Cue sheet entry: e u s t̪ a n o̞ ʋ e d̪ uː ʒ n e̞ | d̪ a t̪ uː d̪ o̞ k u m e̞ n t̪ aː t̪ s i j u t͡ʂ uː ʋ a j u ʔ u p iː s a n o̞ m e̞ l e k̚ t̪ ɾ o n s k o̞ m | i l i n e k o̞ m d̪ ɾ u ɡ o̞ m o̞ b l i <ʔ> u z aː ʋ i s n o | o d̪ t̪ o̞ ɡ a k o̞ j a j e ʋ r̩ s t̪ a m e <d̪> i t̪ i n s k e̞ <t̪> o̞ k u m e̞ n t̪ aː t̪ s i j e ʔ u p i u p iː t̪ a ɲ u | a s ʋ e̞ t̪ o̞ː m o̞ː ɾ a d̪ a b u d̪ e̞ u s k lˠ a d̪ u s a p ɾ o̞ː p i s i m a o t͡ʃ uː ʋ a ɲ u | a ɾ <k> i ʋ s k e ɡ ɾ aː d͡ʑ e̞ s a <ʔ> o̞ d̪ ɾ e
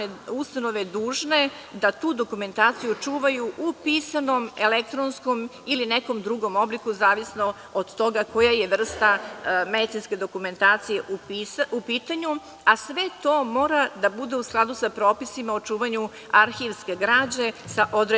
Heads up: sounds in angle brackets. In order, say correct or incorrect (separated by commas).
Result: incorrect, correct, incorrect, incorrect, correct